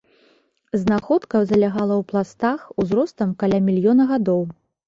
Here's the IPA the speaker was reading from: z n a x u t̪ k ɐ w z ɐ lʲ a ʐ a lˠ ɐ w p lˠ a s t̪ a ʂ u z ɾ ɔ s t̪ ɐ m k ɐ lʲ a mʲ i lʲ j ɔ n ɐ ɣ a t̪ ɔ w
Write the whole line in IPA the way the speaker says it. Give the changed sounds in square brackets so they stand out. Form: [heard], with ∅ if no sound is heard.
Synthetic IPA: z n a x [ɔ] t̪ k ɐ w z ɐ lʲ a [ɣ] a lˠ ɐ w p lˠ a s t̪ a [x] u z ɾ ɔ s t̪ ɐ m k [a] lʲ a mʲ i lʲ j ɔ n ɐ ɣ a [d̪] ɔ w